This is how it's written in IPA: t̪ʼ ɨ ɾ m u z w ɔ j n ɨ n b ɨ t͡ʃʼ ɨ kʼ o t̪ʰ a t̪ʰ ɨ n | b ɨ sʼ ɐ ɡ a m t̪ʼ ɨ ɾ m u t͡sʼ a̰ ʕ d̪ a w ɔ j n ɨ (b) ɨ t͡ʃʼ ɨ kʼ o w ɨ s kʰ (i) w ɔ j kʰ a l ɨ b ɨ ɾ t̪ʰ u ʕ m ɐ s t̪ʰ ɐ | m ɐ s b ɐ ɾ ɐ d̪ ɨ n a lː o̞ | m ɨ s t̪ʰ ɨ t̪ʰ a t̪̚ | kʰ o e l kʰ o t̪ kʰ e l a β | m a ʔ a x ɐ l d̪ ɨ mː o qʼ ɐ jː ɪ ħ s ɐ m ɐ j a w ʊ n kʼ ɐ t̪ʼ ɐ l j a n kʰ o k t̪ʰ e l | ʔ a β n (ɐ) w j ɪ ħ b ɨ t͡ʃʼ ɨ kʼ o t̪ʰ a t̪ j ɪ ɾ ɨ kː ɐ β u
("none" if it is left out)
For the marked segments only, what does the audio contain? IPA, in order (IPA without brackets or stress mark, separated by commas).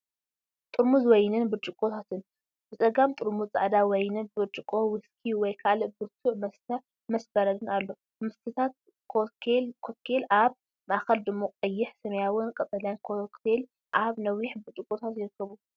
b, i, ɐ